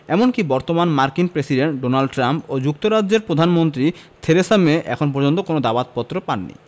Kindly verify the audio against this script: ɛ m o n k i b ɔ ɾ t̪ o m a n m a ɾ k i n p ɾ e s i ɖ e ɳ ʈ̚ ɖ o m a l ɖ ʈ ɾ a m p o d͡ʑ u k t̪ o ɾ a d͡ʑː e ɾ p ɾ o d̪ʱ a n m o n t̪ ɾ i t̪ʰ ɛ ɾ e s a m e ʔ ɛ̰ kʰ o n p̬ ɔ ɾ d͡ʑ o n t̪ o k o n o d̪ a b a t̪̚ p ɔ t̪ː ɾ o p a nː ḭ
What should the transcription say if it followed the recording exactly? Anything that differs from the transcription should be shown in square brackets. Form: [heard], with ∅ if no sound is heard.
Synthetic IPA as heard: ɛ m o n k i b ɔ ɾ t̪ o m a n m a ɾ k i n p ɾ e s i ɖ e ɳ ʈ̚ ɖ o [n] a l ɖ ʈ ɾ a m p o d͡ʑ u k t̪ o ɾ a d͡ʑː e ɾ p ɾ o d̪ʱ a n m o n t̪ ɾ i t̪ʰ [e] ɾ e s a m e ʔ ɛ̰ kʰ o n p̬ ɔ ɾ d͡ʑ o n t̪ o k o n o d̪ a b a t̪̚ p ɔ t̪ː ɾ o p a nː ḭ

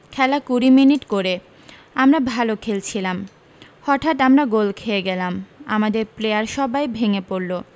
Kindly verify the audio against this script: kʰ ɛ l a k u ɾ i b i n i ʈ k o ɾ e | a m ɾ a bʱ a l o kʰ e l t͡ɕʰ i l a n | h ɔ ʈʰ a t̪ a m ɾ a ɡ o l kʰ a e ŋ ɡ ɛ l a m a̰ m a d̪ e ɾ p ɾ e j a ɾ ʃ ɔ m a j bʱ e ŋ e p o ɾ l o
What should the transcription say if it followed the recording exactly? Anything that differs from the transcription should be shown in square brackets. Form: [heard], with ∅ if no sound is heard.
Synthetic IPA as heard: kʰ ɛ l a k u ɾ i [m] i n i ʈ k o ɾ e | a m ɾ a bʱ a l o kʰ e l t͡ɕʰ i l a [m] | h ɔ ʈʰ a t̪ a m ɾ a ɡ o l kʰ [e] e [∅] ɡ ɛ l a m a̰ m a d̪ e ɾ p [l] e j a ɾ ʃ ɔ [b] a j bʱ e ŋ e p o ɾ l o

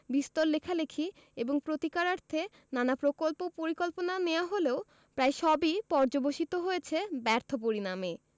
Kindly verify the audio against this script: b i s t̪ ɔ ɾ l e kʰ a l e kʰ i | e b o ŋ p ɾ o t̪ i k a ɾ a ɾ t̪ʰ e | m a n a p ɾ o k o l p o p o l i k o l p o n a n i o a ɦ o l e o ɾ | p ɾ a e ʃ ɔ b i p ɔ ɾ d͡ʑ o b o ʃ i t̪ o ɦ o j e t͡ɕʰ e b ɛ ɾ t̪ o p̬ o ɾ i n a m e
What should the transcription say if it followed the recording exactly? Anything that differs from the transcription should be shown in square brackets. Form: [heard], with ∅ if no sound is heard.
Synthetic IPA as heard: b i s t̪ [o] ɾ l e kʰ a l e kʰ i | e b o ŋ p ɾ o t̪ i k a ɾ a ɾ t̪ʰ e | [n] a n a p ɾ o k o l p o p o [ɾ] i k o l p o n a n [e] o a ɦ o l e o [∅] | p ɾ a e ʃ ɔ b i p ɔ ɾ d͡ʑ o b o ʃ i t̪ o ɦ o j e t͡ɕʰ e b ɛ ɾ [t̪ʰ] o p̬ o ɾ i n a m e

